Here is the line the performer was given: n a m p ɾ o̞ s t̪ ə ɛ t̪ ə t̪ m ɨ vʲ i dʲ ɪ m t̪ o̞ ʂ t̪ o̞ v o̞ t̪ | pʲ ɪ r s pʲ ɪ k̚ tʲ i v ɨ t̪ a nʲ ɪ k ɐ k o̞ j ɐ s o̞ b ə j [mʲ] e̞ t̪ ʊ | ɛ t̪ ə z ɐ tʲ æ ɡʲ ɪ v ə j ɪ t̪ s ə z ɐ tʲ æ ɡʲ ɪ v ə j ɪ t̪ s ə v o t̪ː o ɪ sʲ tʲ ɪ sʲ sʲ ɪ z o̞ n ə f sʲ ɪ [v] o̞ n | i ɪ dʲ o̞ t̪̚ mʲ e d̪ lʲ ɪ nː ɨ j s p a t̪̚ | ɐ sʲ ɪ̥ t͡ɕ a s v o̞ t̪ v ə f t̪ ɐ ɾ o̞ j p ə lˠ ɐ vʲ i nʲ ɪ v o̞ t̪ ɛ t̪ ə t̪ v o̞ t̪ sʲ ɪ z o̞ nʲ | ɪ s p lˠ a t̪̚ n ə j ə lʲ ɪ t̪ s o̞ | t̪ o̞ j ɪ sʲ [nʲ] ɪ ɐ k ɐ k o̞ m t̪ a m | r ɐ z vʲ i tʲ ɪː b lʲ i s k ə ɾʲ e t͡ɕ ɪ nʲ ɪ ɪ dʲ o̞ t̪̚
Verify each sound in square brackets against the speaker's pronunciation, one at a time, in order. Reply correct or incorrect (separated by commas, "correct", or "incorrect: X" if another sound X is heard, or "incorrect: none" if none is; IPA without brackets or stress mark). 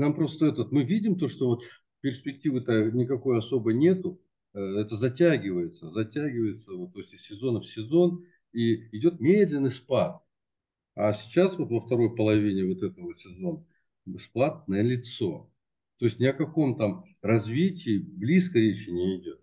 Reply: incorrect: nʲ, incorrect: z, correct